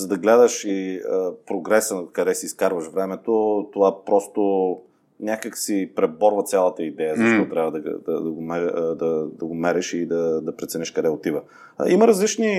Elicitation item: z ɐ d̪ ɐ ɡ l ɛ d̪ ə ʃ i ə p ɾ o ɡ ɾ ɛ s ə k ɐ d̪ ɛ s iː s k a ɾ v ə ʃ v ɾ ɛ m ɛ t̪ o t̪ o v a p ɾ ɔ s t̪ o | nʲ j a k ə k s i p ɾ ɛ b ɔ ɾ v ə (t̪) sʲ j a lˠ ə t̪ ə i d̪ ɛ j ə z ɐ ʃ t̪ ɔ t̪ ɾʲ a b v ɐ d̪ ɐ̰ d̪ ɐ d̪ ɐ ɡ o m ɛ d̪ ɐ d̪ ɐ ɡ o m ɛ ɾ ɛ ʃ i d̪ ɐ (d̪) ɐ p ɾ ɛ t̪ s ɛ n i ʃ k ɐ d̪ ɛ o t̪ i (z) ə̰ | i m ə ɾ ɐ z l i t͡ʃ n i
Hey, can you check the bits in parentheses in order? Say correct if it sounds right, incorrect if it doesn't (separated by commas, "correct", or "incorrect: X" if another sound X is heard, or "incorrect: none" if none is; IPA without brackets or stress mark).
correct, correct, incorrect: v